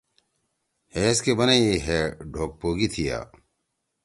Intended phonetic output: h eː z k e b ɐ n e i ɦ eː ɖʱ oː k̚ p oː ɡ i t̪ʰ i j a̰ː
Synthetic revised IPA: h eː s k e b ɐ n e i ɦ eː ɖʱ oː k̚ p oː ɡ i t̪ʰ i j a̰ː

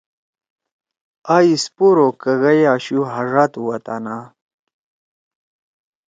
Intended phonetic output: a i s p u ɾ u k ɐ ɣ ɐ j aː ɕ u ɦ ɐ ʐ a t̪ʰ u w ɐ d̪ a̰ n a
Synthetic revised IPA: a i s p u ɾ o k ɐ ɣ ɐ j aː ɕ u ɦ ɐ ʐ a t̪ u w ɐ t̪ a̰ n a

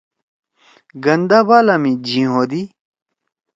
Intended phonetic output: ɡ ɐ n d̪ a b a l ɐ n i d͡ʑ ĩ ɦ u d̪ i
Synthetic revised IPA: ɡ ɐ n d̪ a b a l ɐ m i d͡ʑ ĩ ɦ o d̪ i

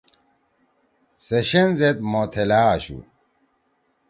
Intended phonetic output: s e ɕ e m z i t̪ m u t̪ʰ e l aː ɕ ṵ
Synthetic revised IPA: s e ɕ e n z e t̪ m o t̪ʰ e l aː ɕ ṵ

